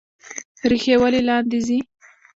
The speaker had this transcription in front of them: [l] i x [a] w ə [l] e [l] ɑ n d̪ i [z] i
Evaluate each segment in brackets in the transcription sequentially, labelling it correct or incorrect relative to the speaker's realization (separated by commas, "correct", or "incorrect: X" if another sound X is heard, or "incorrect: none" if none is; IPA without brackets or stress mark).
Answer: incorrect: ɾ, incorrect: e, correct, correct, correct